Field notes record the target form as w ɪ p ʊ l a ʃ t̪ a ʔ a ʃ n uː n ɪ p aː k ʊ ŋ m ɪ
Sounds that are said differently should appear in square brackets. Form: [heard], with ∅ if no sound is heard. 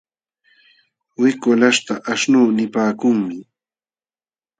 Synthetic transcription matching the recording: w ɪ [k] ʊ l a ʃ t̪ a ʔ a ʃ n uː n ɪ p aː k ʊ ŋ m ɪ